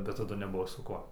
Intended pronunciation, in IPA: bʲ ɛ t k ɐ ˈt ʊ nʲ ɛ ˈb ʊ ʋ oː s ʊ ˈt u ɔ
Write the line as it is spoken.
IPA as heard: bʲ ɛ t t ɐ ˈd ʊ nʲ ɛ ˈb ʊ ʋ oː s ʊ ˈk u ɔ

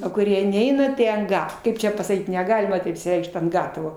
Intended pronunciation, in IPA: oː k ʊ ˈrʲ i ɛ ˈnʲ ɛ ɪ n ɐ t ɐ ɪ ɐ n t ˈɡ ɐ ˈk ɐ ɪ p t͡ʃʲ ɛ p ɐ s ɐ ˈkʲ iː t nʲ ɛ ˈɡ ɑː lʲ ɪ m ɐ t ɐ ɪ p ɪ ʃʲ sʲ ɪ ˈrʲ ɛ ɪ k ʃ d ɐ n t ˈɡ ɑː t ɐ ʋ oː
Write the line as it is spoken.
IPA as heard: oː k ʊ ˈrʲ i ɛ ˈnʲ ɛ ɪ n ɐ t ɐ ɪ ɐ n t ˈɡ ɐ ˈk ɐ ɪ p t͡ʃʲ ɛ p ɐ s ɐ ˈkʲ iː t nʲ ɛ ˈɡ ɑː lʲ ɪ m ɐ t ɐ ɪ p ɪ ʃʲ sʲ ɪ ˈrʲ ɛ ɪ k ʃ t ɐ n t ˈɡ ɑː t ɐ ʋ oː

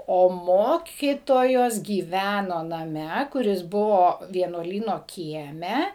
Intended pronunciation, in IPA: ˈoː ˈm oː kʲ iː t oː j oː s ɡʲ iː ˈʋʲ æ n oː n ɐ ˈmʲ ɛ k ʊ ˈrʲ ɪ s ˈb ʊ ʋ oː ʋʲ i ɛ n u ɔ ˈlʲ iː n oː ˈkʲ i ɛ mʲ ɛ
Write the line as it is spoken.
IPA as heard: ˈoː ˈm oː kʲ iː t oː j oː s ɡʲ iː ˈʋʲ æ n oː n ɐ ˈmʲ ɛ k ʊ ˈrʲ ɪ s ˈb ʊ ʋ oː ʋʲ i ɛ n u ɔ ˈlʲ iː n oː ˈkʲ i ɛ mʲ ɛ

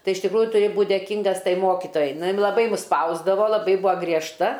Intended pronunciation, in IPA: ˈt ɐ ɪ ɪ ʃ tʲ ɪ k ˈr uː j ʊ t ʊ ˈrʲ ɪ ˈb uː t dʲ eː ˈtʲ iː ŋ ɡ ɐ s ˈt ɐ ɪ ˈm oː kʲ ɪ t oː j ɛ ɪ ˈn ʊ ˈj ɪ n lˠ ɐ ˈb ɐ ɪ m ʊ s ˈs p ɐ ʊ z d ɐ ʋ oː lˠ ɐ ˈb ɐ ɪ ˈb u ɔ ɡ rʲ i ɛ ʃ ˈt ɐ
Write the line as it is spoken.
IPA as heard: ˈt ɐ ɪ ɪ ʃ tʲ ɪ k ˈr uː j ʊ t ʊ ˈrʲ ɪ ˈb uː t dʲ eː ˈkʲ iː ŋ ɡ ɐ s ˈt ɐ ɪ ˈm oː kʲ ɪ t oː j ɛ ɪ ˈn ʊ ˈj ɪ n lˠ ɐ ˈb ɐ ɪ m ʊ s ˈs p ɐ ʊ z d ɐ ʋ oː lˠ ɐ ˈb ɐ ɪ ˈb u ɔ ɡ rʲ i ɛ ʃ ˈt ɐ

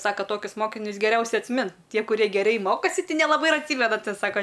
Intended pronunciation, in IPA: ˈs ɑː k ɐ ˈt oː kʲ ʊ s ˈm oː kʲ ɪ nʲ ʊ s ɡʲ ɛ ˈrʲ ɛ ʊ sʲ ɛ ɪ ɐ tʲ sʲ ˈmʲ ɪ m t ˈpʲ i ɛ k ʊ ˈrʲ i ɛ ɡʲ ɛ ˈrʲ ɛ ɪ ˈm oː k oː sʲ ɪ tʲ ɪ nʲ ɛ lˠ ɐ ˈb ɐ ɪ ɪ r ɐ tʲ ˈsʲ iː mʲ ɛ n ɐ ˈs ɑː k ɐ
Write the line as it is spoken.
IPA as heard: ˈs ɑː k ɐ ˈt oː kʲ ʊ s ˈm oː kʲ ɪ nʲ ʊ s ɡʲ ɛ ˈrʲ ɛ ʊ sʲ ɛ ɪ ɐ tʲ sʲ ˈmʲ ɪ n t ˈtʲ i ɛ k ʊ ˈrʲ i ɛ ɡʲ ɛ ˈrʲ ɛ ɪ ˈm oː k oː sʲ ɪ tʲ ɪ nʲ ɛ lˠ ɐ ˈb ɐ ɪ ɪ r ɐ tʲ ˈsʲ iː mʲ ɛ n ɐ ˈs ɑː k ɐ

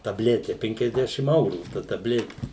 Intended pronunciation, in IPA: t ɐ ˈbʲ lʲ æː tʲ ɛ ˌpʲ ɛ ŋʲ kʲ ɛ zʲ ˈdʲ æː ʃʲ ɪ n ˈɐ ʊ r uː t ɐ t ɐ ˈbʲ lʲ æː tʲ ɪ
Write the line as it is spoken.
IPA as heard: t ɐ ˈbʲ lʲ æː tʲ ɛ ˌpʲ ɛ ŋʲ kʲ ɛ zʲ ˈdʲ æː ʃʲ ɪ m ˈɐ ʊ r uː t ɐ t ɐ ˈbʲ lʲ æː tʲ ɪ

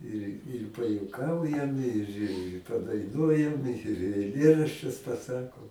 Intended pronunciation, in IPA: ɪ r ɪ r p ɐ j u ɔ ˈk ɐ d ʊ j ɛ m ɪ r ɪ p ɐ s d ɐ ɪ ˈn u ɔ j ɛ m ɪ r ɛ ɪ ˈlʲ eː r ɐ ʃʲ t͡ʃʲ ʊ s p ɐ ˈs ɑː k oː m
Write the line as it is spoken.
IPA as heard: ɪ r ɪ r p ɐ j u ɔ ˈk ɐ ʊ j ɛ m ɪ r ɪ p ɐ d ɐ ɪ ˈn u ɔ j ɛ m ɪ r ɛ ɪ ˈlʲ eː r ɐ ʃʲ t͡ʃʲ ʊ s p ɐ ˈs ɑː k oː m

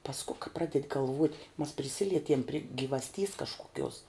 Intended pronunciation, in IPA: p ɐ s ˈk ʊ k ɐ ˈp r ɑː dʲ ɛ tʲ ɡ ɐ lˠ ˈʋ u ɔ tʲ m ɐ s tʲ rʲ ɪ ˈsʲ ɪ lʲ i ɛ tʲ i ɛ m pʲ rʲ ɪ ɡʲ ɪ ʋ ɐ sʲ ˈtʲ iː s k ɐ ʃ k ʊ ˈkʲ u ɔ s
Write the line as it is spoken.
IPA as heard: p ɐ s ˈk ʊ k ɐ ˈp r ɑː dʲ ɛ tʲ ɡ ɐ lˠ ˈʋ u ɔ tʲ m ɐ s pʲ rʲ ɪ ˈsʲ ɪ lʲ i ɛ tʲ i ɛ m pʲ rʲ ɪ ɡʲ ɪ ʋ ɐ sʲ ˈtʲ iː s k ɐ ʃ k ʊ ˈkʲ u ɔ s

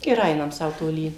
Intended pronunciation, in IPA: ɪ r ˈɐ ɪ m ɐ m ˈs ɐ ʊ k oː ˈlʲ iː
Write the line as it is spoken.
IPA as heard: ɪ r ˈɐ ɪ n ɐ m ˈs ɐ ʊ t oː ˈlʲ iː

